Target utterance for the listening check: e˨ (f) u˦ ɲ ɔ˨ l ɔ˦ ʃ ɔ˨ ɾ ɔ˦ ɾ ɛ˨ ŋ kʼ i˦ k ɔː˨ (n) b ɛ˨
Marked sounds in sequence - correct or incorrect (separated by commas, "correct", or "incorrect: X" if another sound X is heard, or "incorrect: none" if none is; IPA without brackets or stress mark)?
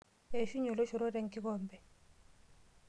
incorrect: ʃ, incorrect: m